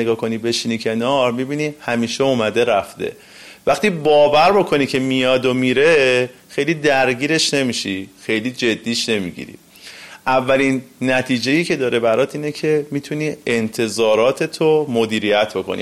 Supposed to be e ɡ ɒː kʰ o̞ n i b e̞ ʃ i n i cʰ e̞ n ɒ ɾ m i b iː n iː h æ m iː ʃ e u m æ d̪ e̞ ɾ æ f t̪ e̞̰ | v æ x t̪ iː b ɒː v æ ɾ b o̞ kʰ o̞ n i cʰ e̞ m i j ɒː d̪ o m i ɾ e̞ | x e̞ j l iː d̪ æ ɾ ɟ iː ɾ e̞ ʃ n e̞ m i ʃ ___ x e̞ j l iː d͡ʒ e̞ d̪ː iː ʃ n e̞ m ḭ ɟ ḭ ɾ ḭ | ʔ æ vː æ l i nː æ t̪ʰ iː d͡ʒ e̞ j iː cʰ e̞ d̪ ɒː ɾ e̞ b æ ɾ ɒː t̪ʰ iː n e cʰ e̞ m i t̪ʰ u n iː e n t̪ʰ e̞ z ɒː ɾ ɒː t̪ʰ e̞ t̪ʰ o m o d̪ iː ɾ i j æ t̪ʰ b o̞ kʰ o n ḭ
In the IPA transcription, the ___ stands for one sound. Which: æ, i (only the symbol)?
i